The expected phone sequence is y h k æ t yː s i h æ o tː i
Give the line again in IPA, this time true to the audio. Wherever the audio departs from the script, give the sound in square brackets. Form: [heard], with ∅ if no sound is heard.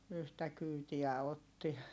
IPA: y h [t] æ [k] yː [t] i [∅] æ o tː i

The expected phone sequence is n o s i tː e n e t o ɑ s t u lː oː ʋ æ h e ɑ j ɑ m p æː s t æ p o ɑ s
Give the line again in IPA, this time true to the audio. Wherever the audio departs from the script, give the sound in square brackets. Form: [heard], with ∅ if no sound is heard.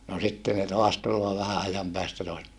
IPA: n o s i tː e n e t o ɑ s t u lː oː ʋ æ h [æ] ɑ j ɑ m p æː s t æ [t] o ɑ s

